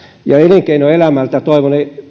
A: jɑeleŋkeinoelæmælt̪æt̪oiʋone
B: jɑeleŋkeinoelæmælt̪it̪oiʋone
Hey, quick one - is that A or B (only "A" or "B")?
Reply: A